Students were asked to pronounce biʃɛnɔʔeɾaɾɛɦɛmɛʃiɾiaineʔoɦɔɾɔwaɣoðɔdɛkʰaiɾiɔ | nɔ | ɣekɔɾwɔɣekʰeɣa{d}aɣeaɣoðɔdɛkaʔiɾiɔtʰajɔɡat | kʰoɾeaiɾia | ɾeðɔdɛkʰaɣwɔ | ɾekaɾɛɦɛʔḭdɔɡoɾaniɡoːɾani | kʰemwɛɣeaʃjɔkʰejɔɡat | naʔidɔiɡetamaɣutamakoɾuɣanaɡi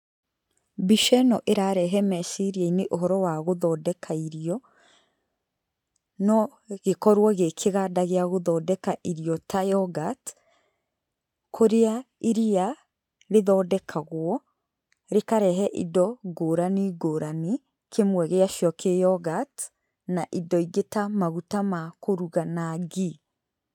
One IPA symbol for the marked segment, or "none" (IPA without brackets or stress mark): d